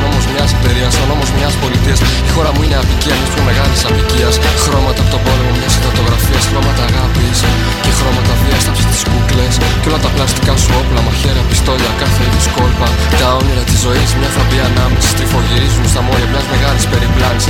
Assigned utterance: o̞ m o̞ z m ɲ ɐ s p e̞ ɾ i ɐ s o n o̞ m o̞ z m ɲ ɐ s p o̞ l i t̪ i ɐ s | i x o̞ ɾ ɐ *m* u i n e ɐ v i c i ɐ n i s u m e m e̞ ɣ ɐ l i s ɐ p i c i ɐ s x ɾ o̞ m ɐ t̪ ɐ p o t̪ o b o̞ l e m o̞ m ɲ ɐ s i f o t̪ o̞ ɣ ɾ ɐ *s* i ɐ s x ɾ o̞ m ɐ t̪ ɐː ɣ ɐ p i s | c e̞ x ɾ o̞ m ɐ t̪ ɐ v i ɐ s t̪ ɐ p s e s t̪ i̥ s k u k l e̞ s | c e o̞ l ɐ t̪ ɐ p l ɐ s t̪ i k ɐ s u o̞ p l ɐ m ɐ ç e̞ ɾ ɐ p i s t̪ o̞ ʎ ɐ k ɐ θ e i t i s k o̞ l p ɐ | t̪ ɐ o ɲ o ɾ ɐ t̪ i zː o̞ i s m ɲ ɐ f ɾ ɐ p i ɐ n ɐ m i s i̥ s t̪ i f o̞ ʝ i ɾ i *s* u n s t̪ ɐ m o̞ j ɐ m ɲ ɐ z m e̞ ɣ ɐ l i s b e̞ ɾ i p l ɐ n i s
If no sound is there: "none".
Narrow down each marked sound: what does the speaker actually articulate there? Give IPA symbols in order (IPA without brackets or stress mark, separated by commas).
m, f, z